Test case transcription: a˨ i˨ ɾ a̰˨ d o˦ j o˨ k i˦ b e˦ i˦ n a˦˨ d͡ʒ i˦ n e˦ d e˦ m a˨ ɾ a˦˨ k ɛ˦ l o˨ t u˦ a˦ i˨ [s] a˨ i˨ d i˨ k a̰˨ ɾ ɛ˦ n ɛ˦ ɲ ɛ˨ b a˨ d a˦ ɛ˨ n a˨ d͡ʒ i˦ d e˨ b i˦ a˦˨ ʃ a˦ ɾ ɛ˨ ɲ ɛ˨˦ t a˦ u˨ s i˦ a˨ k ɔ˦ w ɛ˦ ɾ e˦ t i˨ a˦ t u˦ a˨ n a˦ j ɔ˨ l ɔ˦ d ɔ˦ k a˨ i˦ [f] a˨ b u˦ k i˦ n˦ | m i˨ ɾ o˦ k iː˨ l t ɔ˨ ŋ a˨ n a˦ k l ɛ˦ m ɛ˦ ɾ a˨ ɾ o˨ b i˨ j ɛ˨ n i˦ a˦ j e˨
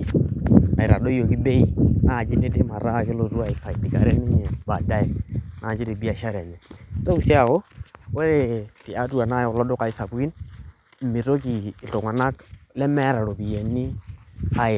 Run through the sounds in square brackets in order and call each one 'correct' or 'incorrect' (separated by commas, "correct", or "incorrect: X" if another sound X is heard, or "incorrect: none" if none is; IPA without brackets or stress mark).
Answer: incorrect: f, incorrect: s